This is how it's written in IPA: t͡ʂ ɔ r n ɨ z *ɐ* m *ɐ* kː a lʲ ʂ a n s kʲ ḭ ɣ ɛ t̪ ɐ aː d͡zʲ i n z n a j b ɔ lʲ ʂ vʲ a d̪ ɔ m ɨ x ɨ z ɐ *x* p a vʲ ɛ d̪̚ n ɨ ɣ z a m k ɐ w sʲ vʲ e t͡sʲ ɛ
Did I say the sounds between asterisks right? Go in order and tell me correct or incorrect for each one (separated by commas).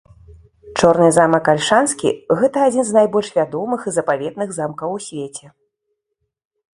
incorrect, correct, incorrect